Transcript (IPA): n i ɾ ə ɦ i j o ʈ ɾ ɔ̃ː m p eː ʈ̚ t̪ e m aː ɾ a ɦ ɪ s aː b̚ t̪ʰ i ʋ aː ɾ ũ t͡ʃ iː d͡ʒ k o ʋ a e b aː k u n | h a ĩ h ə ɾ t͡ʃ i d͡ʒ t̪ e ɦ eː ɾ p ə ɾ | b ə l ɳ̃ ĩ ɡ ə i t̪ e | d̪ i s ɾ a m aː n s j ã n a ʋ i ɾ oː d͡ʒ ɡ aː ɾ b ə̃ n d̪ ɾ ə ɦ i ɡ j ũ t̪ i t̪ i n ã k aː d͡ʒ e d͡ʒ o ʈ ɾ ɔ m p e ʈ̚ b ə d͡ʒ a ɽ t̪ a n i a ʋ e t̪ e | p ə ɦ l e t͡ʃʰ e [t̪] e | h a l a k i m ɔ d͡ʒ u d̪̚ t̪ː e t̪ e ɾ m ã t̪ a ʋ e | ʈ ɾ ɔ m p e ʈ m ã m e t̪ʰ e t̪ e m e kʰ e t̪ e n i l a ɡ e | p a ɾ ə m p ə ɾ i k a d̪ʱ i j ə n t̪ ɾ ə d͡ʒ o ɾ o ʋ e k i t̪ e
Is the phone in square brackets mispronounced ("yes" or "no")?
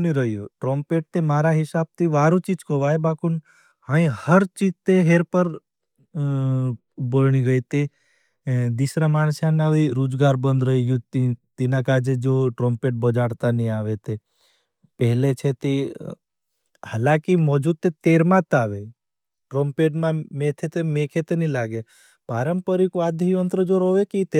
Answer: no